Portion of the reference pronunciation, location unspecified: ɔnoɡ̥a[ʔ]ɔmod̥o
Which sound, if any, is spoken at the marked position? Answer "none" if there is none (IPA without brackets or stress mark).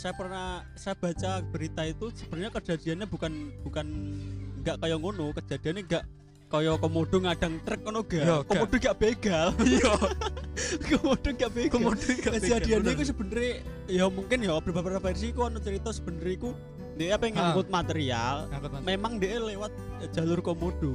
k